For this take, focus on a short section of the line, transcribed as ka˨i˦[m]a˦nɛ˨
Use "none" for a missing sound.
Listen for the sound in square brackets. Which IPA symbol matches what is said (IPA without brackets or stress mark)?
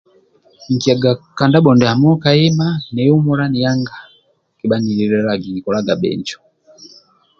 m